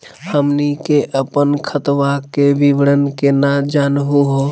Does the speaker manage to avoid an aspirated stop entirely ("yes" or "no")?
no